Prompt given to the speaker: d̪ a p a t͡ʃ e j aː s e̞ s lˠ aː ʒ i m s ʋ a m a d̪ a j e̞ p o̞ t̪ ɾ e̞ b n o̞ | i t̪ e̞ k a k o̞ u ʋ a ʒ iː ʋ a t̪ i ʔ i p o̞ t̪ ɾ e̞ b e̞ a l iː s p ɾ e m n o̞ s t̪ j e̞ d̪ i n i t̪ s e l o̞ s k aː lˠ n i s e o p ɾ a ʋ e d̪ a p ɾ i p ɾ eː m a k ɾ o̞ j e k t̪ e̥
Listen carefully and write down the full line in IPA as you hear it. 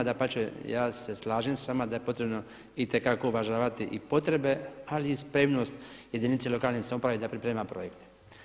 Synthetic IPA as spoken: d̪ a p a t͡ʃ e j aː s e̞ s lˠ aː ʒ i m s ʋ a m a d̪ a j e̞ p o̞ t̪ ɾ e̞ b n o̞ | i t̪ e̞ k a k o̞ u ʋ a ʒ aː ʋ a t̪ i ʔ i p o̞ t̪ ɾ e̞ b e̞ a l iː s p ɾ e m n o̞ s t̪ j e̞ d̪ i n i t̪ s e l o̞ k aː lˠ n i s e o p ɾ a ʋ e d̪ a p ɾ i p ɾ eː m a p ɾ o̞ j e k t̪ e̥